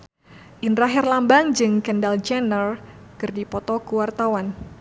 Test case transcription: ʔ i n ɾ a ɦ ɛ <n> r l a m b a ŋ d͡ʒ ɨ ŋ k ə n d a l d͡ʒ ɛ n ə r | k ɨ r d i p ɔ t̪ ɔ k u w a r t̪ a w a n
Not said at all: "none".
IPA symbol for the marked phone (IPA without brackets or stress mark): none